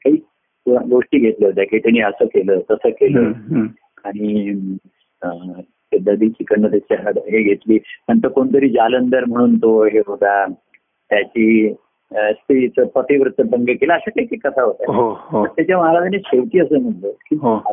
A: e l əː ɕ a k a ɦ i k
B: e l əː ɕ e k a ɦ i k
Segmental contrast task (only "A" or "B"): A